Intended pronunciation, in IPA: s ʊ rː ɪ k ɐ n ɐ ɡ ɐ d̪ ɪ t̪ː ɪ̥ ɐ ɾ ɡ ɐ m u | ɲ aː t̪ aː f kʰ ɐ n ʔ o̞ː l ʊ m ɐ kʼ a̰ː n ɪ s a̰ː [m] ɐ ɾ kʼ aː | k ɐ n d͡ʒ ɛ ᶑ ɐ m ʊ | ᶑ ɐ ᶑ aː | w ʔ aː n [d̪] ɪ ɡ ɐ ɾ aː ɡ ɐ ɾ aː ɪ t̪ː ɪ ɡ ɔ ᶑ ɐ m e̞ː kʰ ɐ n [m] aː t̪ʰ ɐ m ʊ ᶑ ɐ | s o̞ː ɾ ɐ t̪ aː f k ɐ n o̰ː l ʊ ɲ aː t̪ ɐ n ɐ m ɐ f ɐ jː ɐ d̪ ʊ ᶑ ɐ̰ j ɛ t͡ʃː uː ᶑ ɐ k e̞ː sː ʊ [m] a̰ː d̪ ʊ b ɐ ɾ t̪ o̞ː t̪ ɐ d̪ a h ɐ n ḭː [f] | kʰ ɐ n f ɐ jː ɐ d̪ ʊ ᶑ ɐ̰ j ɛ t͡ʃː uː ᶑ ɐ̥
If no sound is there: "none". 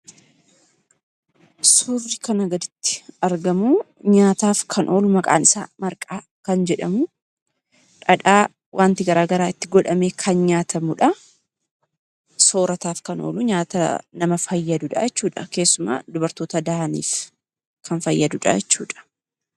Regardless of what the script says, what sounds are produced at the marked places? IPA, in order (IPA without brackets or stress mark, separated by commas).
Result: m, t̪, ɲ, m, f